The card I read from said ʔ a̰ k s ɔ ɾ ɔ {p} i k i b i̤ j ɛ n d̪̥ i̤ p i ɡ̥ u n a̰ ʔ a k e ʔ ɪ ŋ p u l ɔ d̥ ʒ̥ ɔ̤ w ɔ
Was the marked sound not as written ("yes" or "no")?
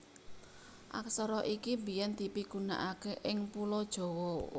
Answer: yes